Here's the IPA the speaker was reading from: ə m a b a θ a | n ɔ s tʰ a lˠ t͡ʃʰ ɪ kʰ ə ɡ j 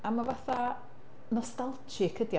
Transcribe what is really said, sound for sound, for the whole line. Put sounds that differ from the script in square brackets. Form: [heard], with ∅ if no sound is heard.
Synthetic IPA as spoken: [a] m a [v] a θ a | n ɔ s [t] a lˠ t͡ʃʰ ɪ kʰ ə [d] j